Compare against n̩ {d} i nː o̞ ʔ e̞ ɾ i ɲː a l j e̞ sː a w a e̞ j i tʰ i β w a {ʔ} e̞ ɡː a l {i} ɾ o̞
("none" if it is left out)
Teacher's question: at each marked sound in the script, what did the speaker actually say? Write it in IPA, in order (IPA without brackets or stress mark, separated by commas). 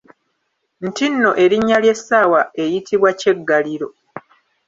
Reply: t, c, i